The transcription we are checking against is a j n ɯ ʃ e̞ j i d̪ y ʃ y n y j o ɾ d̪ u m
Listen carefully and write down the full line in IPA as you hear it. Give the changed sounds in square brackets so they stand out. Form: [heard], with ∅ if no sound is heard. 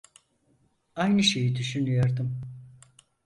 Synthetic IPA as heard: a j n ɯ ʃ e̞ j i d̪ y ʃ y n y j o ɾ d̪ [ɯ] m